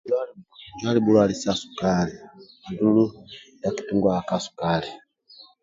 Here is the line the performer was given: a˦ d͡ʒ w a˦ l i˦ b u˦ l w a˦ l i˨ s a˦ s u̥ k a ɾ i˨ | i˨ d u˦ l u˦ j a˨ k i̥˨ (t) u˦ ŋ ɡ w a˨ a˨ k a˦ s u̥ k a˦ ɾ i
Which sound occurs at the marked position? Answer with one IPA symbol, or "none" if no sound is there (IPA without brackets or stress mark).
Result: t